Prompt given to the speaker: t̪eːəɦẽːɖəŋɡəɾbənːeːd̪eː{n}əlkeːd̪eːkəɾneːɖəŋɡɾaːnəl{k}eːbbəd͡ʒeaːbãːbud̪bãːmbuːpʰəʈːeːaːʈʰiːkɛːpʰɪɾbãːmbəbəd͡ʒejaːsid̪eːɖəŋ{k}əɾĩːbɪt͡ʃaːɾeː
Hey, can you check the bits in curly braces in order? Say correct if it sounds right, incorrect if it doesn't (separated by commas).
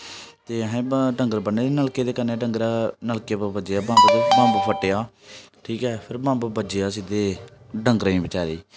correct, correct, incorrect